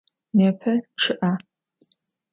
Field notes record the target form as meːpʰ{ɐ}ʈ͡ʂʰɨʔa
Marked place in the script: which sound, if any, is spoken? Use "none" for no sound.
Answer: ɐ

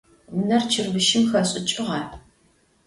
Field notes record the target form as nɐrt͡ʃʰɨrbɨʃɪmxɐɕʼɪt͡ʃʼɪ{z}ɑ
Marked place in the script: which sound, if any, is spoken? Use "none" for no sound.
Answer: ʁ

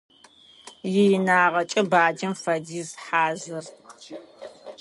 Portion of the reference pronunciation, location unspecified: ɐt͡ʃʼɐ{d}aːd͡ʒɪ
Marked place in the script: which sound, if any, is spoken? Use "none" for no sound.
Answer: b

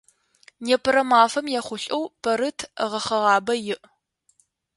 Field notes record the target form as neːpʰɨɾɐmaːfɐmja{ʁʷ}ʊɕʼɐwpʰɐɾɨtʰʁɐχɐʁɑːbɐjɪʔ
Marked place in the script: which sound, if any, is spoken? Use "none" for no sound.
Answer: χʷ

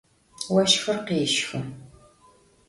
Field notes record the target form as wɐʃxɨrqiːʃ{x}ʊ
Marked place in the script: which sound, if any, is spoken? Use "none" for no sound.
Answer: x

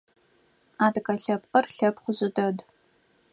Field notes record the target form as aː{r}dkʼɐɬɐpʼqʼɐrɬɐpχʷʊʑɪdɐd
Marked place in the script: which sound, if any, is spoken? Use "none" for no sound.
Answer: none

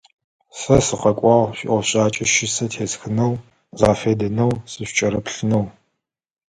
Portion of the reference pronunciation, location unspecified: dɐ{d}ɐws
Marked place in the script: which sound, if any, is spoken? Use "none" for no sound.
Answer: n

